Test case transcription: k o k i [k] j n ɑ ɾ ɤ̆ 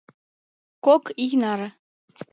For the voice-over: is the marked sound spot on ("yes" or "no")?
no